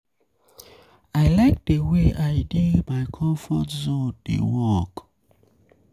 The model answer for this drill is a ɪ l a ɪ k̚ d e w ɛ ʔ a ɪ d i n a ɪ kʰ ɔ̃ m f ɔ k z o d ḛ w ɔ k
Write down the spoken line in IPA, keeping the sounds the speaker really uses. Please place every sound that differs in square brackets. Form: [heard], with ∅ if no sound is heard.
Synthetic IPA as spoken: a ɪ l a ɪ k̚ d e w [e] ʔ a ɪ d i [m] a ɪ kʰ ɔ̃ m f ɔ [t] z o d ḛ w ɔ k